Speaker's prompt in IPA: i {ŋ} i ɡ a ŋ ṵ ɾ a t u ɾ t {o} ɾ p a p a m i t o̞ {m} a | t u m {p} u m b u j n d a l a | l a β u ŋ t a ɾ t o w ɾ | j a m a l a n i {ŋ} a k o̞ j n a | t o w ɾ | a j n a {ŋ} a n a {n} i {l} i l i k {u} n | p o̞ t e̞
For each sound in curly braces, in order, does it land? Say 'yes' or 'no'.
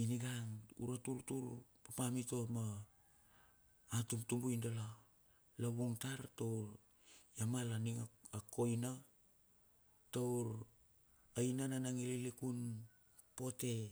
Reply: no, no, yes, no, yes, no, no, yes, yes

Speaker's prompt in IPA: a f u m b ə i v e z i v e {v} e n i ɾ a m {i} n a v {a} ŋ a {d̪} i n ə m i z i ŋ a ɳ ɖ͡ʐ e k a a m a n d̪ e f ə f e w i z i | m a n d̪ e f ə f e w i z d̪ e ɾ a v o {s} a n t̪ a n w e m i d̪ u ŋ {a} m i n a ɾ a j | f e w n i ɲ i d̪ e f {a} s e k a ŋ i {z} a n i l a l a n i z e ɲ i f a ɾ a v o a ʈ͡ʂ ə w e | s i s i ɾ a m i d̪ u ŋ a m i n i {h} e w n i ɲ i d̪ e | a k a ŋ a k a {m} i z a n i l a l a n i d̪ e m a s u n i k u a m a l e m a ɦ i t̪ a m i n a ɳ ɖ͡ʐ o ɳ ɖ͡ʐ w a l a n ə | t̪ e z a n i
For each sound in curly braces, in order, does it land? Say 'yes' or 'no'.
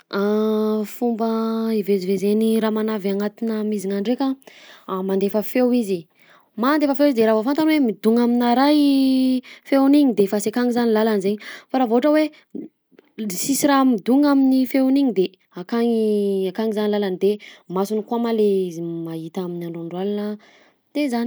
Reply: no, no, yes, no, no, yes, yes, yes, no, no

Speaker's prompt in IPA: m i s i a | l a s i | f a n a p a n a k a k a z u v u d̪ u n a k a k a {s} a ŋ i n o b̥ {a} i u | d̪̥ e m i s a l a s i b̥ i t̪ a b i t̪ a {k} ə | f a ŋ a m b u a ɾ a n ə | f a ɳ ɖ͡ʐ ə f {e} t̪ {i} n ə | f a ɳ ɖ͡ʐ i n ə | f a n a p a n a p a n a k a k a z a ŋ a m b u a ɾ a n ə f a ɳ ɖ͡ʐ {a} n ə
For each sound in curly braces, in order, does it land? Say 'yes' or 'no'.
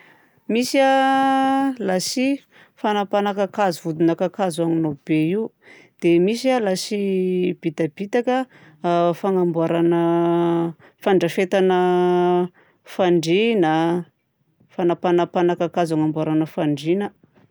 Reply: no, no, yes, yes, no, no

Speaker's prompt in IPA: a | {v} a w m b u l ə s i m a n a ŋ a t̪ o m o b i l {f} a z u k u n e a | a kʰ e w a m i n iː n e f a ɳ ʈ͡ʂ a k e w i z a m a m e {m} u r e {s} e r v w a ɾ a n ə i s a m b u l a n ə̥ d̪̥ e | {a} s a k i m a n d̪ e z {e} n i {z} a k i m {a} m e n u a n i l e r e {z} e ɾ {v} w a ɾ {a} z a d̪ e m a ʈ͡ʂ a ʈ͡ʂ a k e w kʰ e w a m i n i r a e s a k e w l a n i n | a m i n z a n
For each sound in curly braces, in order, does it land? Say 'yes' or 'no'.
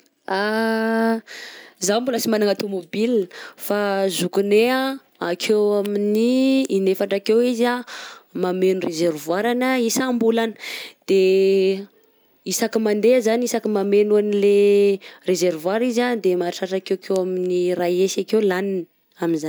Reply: no, yes, no, no, no, no, no, yes, yes, yes, no

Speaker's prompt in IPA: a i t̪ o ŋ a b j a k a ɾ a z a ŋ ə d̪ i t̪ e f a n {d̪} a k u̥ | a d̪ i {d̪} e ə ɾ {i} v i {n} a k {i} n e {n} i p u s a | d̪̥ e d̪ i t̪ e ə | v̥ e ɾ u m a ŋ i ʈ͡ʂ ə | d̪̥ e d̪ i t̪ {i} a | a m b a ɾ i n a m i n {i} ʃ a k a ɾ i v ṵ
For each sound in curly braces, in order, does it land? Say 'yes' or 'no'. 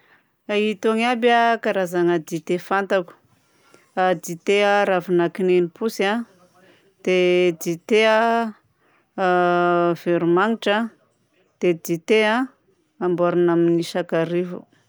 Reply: no, no, no, yes, yes, yes, no, yes

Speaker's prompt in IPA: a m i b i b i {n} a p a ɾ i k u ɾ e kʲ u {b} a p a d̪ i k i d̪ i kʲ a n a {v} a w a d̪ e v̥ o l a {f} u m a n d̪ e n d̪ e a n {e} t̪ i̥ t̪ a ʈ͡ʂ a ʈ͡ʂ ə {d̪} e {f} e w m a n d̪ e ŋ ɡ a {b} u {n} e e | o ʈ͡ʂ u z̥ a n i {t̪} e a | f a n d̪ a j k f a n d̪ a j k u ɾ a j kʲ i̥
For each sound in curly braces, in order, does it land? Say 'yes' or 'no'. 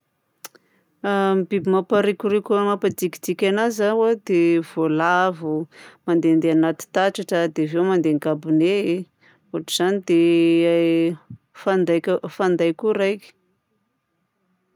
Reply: no, no, no, no, no, yes, no, yes, yes, no

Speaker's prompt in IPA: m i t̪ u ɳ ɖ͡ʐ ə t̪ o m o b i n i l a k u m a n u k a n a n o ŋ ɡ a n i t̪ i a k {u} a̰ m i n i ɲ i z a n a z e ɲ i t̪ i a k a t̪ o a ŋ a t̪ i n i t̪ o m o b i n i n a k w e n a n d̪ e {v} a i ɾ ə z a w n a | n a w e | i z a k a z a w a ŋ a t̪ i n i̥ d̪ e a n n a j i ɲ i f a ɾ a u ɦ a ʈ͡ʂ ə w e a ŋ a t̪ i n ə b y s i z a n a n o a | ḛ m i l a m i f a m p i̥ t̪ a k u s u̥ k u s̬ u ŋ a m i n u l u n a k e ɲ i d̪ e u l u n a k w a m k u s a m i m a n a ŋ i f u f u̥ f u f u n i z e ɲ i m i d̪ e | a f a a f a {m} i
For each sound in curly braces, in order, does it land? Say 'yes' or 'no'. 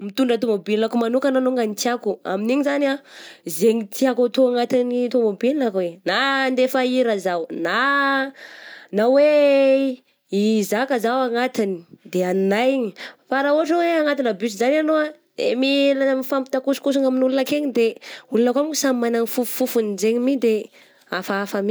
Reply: yes, no, yes

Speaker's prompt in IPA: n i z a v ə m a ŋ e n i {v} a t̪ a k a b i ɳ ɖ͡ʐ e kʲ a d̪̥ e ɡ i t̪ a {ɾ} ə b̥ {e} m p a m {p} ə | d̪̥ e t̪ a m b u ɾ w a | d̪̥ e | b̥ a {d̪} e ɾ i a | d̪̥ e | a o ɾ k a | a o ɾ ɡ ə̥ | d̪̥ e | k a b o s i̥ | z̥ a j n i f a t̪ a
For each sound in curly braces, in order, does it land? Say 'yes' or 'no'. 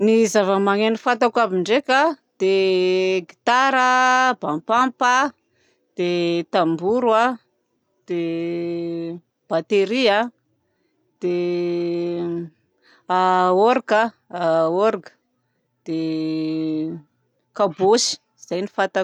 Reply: no, yes, no, yes, no

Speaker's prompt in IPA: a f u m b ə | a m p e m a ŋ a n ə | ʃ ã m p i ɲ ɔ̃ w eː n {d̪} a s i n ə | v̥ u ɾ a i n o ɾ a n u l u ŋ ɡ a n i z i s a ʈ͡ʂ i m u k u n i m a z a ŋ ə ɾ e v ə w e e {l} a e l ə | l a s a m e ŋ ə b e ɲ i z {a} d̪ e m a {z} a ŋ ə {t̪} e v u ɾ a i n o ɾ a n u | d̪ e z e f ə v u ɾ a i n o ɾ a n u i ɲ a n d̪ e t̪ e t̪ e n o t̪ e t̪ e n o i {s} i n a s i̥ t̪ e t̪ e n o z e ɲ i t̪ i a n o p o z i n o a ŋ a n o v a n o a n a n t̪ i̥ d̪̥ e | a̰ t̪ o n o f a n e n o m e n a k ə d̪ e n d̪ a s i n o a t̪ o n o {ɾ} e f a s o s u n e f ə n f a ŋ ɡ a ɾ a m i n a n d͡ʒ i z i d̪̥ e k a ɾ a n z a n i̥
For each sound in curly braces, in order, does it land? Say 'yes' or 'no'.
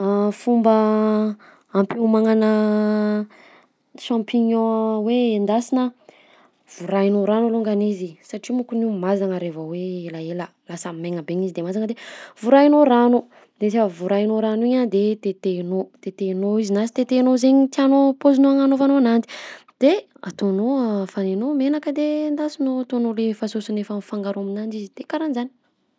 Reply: yes, yes, no, yes, no, no, no

